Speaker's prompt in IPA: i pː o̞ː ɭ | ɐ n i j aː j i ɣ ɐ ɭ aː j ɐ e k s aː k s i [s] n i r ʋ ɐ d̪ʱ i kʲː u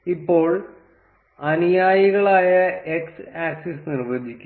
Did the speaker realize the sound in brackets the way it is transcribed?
yes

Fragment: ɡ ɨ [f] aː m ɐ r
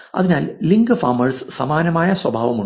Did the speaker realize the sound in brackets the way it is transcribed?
yes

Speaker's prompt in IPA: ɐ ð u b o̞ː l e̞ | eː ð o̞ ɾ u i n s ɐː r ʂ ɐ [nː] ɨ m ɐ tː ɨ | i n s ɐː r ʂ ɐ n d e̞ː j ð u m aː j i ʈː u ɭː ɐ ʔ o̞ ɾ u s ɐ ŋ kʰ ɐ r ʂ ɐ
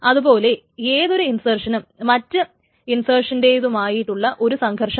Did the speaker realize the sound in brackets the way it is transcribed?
no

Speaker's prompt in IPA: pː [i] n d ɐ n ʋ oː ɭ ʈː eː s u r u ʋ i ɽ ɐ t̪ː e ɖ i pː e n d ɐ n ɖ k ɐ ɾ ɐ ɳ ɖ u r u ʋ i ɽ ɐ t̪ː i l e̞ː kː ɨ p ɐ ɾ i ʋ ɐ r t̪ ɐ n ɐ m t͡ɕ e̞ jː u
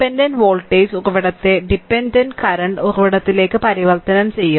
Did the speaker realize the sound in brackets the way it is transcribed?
no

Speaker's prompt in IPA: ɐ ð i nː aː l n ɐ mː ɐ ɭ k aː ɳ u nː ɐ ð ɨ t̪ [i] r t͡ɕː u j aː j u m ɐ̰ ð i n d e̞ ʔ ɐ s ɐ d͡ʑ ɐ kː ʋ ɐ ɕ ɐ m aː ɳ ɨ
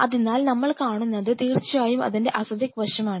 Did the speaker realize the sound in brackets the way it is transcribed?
no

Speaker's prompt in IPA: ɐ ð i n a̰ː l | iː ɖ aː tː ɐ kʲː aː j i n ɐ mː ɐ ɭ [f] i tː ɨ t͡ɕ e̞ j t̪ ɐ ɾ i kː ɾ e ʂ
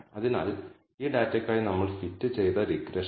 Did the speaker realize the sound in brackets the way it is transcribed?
yes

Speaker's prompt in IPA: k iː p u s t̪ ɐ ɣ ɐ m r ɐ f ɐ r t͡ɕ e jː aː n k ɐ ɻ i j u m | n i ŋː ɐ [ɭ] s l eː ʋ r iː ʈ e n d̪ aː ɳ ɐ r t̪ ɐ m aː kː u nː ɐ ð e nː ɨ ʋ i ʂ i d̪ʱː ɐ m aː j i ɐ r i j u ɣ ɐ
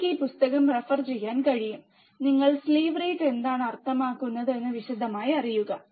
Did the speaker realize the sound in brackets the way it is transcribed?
yes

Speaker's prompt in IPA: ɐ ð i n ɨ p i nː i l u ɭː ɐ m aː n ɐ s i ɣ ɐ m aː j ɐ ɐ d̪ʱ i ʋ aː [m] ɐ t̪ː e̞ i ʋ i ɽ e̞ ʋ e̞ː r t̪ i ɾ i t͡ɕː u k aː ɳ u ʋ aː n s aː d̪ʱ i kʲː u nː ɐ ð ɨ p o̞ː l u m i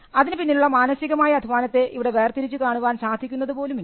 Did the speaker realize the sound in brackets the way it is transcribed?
no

